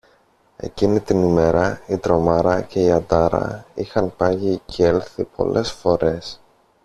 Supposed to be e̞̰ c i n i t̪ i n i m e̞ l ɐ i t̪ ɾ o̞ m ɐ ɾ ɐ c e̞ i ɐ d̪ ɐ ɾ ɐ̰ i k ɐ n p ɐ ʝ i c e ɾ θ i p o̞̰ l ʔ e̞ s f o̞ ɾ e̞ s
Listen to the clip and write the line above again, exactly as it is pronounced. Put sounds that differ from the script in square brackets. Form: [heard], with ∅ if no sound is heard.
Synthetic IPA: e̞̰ c i n i t̪ i n i m e̞ [ɾ] ɐ i t̪ ɾ o̞ m ɐ ɾ ɐ c e̞ i ɐ d̪ ɐ ɾ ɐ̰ i [x] ɐ n p ɐ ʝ i c e [l] θ i p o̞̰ l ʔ e̞ s f o̞ ɾ e̞ s